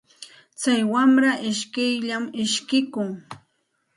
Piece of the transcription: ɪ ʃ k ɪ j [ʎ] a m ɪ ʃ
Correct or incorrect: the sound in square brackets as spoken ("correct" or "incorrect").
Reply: correct